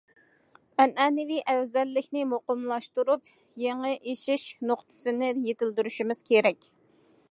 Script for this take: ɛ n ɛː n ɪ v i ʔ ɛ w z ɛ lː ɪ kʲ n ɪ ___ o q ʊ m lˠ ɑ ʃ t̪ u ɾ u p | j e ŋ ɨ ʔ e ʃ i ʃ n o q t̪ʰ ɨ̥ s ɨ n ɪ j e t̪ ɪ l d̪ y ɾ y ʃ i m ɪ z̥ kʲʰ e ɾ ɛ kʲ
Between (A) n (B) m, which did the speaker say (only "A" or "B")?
B